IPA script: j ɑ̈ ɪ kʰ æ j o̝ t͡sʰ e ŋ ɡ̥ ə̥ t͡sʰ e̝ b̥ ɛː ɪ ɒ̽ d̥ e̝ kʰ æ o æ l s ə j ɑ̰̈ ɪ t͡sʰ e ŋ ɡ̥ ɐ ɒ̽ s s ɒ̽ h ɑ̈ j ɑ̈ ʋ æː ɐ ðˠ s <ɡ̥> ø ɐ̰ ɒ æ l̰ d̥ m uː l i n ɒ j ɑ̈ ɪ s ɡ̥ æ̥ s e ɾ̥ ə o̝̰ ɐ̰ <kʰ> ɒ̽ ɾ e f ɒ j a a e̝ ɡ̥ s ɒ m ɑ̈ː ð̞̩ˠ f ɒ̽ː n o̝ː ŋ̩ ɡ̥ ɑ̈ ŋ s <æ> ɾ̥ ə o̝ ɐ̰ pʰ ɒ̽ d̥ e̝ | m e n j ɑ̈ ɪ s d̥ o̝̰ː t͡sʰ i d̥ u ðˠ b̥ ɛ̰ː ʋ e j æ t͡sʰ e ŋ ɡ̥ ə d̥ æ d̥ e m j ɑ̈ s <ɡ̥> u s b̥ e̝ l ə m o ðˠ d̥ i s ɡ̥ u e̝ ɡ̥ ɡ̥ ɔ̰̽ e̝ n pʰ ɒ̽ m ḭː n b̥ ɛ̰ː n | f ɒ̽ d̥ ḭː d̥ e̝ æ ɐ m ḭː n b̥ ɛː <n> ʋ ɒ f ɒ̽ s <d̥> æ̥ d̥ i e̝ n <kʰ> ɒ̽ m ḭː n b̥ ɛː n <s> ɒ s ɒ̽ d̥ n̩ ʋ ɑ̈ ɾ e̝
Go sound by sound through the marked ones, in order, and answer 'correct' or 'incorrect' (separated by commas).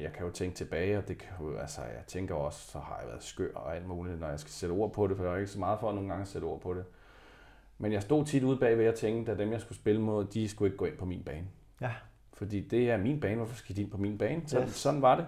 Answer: correct, incorrect, incorrect, correct, correct, incorrect, incorrect, correct